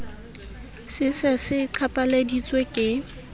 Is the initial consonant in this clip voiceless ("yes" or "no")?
yes